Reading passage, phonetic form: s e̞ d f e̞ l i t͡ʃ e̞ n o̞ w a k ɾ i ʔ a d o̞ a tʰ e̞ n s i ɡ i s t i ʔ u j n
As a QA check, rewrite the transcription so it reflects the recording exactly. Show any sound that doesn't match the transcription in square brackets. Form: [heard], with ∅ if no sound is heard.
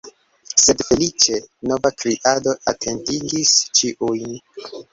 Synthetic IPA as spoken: s e̞ d f e̞ l i t͡ʃ e̞ n o̞ [v] a k ɾ i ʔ a d o̞ a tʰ e̞ n [t] i ɡ i s [t͡ʃ] i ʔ u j n

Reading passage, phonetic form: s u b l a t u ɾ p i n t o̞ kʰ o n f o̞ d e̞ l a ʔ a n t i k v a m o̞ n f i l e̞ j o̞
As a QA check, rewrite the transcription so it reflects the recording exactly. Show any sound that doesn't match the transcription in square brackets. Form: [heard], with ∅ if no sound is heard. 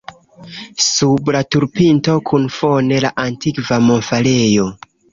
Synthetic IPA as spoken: s u b l a t u ɾ p i n t o̞ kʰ [u] n f o̞ [n] e̞ l a ʔ a n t i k v a m o̞ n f [a] l e̞ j o̞

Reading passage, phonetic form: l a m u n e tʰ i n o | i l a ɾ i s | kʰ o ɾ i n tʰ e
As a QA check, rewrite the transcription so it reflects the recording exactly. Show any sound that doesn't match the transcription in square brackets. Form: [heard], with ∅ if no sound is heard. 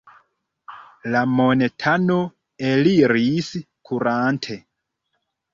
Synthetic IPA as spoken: l a m [o] n e tʰ [a] n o | [e] l [i] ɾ i s | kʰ [u] ɾ [a] n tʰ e

